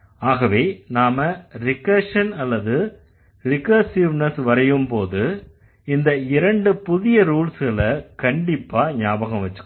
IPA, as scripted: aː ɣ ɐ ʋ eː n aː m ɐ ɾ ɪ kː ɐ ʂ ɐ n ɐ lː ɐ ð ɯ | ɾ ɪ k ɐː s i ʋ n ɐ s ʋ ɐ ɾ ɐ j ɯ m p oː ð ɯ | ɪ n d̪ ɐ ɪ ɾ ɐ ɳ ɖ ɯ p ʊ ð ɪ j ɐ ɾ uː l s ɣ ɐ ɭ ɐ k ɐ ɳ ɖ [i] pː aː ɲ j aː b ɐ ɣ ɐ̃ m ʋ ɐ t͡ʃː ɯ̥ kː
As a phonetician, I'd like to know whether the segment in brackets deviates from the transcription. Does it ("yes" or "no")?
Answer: yes